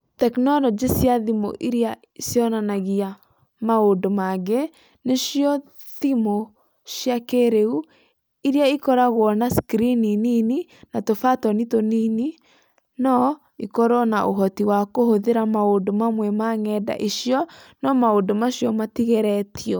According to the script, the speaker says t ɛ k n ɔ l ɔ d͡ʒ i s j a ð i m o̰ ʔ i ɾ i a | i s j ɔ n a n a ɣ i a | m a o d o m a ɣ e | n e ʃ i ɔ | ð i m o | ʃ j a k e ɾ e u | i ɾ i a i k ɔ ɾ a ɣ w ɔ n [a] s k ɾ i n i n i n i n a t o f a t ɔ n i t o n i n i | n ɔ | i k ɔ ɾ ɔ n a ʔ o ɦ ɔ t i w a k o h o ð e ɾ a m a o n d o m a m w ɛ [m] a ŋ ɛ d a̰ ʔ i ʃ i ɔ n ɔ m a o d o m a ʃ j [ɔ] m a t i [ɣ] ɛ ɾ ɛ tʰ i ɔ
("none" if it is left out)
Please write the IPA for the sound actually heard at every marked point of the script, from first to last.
a, m, ɔ, ɣ

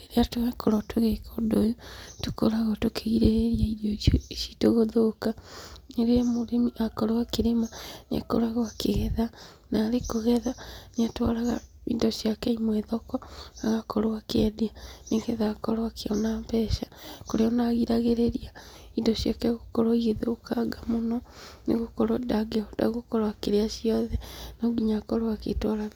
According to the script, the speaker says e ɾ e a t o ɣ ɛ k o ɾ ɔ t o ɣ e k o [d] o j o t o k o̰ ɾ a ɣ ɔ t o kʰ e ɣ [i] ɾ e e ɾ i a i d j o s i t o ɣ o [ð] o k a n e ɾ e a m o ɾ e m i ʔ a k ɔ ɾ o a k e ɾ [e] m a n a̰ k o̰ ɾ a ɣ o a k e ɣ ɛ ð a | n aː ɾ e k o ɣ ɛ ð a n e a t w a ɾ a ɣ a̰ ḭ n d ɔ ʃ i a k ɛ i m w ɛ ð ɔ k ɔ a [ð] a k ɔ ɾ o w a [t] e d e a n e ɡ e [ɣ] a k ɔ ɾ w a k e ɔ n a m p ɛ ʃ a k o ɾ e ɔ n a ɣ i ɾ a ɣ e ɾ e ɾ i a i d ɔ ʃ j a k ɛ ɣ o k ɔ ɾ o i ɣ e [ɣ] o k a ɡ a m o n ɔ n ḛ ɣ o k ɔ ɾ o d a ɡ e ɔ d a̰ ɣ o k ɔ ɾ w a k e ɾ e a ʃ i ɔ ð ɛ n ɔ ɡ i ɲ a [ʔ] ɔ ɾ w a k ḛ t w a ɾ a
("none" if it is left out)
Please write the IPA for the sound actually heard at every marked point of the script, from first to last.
d, i, ð, e, ɣ, k, ð, ð, k

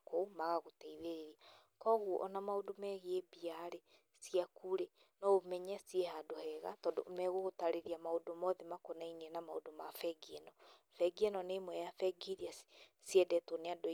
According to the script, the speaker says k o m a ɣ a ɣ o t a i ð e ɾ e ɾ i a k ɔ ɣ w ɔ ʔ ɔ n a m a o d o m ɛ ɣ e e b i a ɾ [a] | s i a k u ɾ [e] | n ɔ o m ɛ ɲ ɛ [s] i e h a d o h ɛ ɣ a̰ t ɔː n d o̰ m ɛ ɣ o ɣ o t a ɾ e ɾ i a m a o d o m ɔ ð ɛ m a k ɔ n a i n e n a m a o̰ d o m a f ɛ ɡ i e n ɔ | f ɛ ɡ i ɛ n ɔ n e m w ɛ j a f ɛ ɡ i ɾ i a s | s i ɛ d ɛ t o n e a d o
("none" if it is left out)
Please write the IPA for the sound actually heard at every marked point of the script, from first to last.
e, e, s

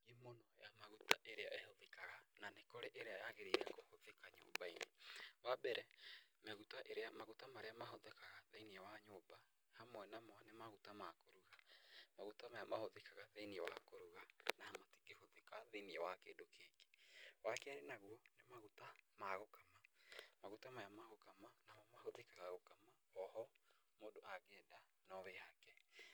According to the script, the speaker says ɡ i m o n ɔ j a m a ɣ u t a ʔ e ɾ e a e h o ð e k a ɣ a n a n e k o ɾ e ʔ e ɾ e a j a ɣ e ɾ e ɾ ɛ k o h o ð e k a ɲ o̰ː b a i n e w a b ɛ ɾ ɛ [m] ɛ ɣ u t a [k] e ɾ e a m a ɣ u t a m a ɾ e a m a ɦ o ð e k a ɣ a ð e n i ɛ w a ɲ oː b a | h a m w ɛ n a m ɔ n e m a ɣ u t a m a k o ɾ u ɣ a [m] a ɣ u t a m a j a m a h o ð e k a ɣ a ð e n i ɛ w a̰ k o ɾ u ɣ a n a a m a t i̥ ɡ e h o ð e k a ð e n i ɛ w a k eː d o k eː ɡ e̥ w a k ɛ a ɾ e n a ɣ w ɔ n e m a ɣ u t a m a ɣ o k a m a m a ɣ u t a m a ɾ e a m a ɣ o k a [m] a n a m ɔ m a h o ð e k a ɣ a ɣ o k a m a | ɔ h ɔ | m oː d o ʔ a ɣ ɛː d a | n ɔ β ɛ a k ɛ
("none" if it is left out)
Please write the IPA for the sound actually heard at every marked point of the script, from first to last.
m, ʔ, m, m

